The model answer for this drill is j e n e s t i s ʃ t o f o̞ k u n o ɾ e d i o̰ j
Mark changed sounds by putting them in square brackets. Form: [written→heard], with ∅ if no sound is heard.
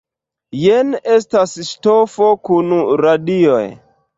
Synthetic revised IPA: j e n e s t [i→a] s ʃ t o f o̞ k u n [o→u] ɾ [e→a] d i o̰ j